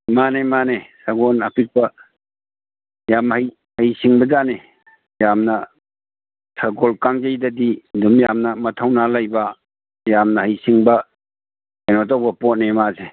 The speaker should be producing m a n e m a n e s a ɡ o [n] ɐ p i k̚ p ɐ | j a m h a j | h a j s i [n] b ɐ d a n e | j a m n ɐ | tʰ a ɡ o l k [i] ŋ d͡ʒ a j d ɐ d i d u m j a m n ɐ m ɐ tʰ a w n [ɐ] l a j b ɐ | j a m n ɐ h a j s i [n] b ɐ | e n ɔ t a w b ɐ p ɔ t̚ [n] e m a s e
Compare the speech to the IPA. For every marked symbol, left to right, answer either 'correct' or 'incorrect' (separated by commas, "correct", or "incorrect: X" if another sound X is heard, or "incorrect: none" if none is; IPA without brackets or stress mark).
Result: correct, incorrect: ŋ, incorrect: a, incorrect: a, incorrect: ŋ, correct